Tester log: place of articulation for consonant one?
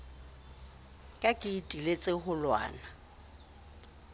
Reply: velar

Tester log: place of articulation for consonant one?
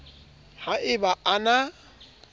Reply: glottal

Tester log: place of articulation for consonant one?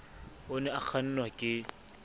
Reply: alveolar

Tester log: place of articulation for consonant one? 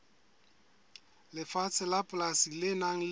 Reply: alveolar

